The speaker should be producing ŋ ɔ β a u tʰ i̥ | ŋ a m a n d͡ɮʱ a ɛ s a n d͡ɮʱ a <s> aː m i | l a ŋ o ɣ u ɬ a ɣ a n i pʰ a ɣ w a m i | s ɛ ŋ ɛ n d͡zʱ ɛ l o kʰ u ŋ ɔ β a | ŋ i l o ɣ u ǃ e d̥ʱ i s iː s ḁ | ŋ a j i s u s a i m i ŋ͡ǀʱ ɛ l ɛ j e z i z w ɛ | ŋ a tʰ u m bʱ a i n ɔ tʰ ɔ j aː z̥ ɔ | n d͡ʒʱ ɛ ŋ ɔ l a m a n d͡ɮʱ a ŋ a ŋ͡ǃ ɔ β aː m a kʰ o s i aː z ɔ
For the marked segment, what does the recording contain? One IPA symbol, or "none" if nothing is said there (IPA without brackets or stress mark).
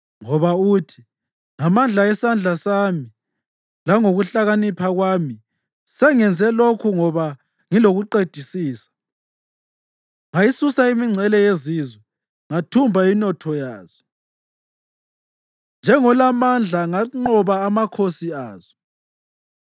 s